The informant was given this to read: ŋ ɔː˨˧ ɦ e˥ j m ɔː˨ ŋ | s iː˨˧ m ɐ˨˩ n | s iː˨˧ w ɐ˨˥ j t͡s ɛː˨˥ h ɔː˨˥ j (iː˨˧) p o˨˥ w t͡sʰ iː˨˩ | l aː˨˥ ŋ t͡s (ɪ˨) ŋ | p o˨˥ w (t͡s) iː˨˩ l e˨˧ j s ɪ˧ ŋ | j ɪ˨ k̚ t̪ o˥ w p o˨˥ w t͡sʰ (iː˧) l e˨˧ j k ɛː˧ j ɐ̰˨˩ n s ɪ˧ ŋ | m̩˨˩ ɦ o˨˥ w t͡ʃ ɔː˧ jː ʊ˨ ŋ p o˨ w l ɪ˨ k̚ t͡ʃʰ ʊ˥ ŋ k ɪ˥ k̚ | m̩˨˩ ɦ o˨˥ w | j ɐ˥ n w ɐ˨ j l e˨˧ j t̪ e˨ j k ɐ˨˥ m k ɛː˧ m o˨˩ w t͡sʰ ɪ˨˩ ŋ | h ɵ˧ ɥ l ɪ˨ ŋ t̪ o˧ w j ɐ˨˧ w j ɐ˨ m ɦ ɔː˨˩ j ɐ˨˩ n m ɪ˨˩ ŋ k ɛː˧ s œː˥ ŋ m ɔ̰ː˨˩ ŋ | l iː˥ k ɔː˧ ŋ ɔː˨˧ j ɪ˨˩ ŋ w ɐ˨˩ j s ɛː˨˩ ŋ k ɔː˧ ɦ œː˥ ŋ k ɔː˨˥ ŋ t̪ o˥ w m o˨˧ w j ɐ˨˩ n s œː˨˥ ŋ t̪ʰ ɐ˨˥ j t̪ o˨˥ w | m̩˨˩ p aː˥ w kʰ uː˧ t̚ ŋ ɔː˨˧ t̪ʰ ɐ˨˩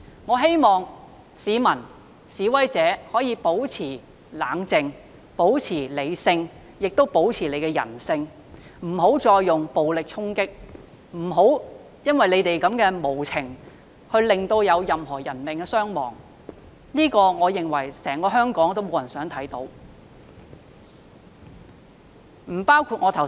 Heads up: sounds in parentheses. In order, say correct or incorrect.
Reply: correct, correct, incorrect: t͡sʰ, incorrect: iː˨˩

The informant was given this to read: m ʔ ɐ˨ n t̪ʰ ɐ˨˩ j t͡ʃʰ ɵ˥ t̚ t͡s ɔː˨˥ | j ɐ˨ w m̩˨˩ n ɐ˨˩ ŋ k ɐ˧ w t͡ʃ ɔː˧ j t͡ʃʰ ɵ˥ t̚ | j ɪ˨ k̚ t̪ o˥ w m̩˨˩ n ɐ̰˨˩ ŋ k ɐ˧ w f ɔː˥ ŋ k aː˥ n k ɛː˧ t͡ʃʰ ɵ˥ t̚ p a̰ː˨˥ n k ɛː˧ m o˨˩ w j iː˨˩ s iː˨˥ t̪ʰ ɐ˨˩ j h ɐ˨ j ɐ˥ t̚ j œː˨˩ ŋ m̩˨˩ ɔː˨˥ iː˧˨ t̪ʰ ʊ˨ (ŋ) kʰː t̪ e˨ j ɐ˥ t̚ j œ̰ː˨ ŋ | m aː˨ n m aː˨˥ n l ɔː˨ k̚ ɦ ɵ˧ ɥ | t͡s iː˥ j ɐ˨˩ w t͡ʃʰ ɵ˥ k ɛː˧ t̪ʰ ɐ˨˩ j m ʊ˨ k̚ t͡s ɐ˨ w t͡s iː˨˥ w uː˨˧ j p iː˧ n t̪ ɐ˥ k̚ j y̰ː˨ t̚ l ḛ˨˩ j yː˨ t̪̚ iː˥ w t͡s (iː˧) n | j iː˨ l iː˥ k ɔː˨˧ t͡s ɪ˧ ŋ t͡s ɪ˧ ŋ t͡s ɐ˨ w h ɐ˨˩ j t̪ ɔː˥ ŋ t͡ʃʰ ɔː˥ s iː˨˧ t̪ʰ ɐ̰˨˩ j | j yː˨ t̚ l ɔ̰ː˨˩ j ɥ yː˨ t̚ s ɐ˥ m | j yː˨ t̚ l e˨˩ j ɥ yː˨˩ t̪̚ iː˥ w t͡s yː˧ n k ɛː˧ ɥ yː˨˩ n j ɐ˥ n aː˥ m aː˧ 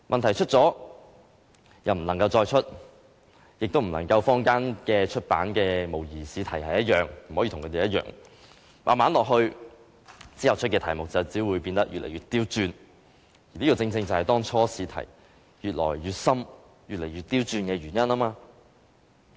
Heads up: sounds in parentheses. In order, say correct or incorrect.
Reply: correct, incorrect: yː˧

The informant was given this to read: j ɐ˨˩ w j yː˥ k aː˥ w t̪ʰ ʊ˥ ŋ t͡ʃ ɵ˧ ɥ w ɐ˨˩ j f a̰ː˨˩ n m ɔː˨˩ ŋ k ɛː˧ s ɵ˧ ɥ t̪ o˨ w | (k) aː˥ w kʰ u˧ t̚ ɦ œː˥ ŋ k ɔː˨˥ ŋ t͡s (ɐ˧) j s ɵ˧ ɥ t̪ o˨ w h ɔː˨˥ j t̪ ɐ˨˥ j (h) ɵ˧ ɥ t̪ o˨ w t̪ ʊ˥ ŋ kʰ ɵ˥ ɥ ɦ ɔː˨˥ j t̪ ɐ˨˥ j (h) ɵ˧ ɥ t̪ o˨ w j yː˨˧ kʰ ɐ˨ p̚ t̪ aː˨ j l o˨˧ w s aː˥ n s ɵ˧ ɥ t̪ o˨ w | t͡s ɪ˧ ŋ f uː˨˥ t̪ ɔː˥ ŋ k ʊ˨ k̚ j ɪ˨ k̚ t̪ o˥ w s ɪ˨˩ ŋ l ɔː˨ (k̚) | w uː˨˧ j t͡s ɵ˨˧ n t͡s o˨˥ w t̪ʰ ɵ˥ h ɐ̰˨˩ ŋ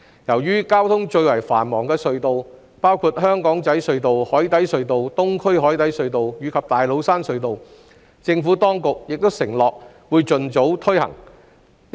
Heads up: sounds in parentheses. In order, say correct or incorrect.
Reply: incorrect: p, incorrect: ɐ˨˥, incorrect: s, incorrect: s, correct

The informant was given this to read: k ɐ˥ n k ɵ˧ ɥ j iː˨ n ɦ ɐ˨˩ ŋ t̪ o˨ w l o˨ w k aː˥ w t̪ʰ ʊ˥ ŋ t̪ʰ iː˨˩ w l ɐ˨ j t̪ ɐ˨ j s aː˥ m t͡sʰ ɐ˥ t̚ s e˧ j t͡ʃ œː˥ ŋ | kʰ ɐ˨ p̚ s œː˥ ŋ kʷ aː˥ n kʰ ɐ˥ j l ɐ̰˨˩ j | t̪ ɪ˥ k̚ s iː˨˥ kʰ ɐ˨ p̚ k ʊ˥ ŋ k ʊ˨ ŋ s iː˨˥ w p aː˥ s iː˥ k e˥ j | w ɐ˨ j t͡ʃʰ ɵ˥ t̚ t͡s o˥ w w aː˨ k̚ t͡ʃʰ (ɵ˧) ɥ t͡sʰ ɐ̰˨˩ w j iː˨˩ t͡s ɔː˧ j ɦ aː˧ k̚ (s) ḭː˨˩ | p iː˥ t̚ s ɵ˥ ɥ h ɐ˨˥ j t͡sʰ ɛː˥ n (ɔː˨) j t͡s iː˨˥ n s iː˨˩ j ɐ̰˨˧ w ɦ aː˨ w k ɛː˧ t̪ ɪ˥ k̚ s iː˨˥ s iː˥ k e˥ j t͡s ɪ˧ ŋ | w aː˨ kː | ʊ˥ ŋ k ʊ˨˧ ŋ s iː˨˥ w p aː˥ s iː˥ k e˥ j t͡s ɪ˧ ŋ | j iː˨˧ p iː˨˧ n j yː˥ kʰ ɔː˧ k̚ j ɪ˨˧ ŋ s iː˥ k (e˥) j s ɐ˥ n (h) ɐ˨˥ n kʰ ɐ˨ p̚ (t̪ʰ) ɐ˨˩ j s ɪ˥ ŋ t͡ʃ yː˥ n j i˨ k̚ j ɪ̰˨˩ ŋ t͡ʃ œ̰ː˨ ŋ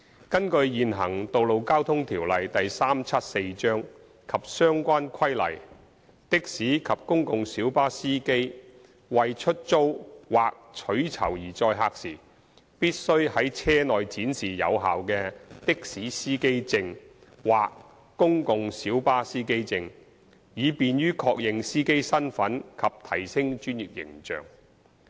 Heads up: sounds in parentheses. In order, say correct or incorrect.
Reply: incorrect: ɵ˨˥, correct, correct, correct, incorrect: f, correct

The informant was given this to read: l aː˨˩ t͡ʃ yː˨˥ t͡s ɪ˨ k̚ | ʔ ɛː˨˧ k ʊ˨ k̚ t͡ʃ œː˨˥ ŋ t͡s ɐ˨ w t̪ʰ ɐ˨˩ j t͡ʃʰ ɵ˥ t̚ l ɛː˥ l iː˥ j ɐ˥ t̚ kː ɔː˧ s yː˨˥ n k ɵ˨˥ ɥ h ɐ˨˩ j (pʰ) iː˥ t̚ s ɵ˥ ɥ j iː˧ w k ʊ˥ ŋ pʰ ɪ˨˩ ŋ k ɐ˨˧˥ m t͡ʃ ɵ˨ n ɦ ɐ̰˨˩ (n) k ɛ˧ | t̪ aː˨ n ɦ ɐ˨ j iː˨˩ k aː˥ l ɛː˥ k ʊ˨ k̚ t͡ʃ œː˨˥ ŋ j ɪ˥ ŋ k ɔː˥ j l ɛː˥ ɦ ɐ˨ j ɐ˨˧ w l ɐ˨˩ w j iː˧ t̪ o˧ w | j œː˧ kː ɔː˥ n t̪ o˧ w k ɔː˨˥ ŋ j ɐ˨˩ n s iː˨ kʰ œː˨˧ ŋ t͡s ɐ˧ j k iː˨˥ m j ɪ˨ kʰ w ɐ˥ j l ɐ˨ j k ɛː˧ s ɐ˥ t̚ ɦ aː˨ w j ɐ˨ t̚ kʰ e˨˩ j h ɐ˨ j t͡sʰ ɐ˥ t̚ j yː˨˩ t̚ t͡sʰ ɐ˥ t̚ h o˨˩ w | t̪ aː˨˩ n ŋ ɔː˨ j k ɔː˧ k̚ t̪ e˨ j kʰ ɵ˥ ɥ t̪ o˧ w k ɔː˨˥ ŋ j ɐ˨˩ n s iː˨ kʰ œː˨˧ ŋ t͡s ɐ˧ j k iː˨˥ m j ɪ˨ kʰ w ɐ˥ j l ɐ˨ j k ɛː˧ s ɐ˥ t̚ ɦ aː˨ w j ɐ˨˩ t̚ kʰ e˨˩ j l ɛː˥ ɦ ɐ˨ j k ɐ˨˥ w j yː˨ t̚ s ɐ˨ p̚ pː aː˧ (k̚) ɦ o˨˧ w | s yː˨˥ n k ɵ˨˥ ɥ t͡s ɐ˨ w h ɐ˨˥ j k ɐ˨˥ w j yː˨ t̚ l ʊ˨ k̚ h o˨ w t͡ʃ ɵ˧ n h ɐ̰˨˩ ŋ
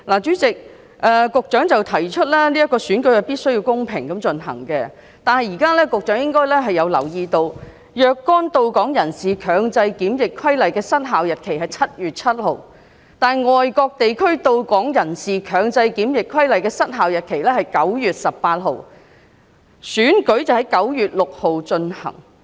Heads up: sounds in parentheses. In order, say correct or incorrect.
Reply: incorrect: p, incorrect: ŋ, incorrect: t̚

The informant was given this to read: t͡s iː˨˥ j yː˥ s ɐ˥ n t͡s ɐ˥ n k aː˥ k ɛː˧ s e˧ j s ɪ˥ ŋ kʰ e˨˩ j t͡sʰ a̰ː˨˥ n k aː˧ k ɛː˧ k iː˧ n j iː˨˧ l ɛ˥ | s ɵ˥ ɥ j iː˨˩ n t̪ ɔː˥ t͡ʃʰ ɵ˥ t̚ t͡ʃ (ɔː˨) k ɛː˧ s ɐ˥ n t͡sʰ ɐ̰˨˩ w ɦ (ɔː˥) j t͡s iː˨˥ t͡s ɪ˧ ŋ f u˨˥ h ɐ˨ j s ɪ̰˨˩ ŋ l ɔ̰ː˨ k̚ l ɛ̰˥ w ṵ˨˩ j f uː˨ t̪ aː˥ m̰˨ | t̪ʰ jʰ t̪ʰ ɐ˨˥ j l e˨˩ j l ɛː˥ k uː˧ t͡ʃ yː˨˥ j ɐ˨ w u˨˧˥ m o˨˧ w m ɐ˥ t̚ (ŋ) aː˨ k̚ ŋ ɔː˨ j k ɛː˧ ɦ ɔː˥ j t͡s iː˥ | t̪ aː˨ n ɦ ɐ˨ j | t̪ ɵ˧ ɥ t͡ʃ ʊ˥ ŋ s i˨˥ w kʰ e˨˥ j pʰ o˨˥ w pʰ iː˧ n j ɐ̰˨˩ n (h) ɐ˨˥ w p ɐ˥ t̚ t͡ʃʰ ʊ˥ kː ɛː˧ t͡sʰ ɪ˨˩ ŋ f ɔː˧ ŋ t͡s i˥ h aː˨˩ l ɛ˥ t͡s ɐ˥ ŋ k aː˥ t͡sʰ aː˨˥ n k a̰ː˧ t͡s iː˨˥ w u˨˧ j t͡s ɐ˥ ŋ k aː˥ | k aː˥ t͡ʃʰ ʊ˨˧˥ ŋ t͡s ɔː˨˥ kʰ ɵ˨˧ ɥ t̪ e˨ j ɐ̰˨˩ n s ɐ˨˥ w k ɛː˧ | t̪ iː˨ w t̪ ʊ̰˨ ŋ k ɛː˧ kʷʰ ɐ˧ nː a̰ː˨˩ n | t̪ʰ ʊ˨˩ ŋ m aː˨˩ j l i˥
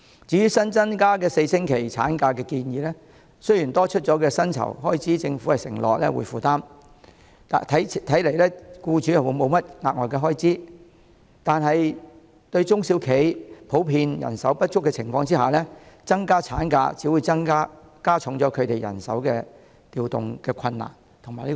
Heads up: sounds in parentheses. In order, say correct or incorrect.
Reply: incorrect: ɔː˨˥, correct, correct, incorrect: s

